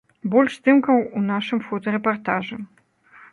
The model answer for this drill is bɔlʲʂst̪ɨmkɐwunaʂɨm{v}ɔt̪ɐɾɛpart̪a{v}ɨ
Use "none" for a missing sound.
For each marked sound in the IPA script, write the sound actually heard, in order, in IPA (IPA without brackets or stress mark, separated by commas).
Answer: f, ʐ